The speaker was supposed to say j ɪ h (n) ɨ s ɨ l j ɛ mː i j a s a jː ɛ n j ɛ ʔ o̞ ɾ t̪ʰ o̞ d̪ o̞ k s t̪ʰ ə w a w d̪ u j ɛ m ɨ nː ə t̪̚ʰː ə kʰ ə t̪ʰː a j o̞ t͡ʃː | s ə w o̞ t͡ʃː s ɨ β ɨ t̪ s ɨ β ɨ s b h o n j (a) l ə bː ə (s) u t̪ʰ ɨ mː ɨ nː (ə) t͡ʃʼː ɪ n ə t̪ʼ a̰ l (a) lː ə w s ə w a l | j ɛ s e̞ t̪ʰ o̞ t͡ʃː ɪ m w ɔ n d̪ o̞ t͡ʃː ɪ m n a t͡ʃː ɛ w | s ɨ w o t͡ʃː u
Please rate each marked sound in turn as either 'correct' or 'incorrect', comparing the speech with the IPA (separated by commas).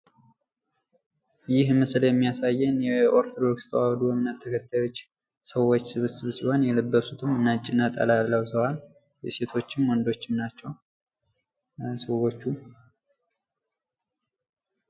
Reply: incorrect, incorrect, correct, incorrect, correct